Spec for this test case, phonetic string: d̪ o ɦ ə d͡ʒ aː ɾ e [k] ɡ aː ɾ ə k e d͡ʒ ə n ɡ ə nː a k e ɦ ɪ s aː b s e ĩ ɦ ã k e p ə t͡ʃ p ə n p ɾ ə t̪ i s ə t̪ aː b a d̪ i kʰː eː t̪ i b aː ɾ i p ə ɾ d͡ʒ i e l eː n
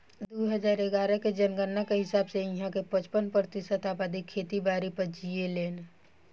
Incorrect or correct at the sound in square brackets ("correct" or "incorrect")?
incorrect